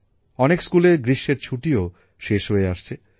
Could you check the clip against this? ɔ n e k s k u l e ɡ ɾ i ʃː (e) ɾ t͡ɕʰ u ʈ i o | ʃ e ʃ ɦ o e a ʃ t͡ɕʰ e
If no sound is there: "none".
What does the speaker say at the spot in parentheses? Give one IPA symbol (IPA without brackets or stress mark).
e